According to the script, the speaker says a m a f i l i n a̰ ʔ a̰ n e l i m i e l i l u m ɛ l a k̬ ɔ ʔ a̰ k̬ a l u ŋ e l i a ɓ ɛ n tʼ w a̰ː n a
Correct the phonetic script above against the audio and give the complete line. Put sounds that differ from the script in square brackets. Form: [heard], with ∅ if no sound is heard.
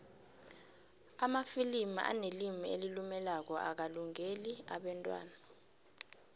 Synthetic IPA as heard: a m a f i l i [m] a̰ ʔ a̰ n e l i m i e l i l u m ɛ l a k̬ ɔ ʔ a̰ k̬ a l u ŋ e l i a ɓ ɛ n tʼ w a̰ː n a